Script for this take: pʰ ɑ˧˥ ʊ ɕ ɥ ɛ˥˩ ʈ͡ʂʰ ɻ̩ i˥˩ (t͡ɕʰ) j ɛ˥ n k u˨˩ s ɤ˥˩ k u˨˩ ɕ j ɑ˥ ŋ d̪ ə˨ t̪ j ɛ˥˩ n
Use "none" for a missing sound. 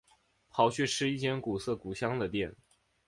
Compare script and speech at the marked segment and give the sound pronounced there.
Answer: t͡ɕ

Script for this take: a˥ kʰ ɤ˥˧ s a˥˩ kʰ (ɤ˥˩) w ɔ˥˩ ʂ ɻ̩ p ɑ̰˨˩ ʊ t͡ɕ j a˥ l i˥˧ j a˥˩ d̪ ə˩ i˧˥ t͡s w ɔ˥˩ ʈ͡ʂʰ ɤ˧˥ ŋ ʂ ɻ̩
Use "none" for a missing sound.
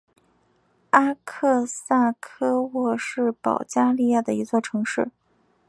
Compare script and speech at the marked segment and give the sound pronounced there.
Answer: ɤ˥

